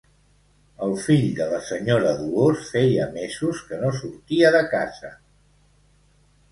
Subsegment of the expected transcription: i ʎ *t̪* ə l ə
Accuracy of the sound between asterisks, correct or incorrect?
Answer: incorrect